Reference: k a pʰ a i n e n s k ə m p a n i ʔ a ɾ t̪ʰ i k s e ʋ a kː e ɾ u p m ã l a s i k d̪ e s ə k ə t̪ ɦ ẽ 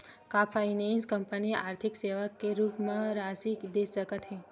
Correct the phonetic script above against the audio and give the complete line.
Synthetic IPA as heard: k a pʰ a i n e n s k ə m p ə n i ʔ a ɾ t̪ʰ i k s e ʋ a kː e ɾ u p m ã ɾ a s i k d̪ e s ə k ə t̪ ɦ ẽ